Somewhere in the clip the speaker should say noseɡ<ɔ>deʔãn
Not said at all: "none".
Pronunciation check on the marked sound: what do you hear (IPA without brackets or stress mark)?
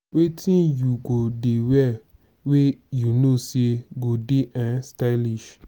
o